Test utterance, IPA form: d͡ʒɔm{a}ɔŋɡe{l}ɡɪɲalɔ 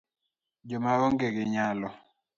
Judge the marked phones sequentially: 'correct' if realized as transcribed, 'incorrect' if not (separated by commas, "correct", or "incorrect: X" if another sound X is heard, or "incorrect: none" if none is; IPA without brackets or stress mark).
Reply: correct, incorrect: none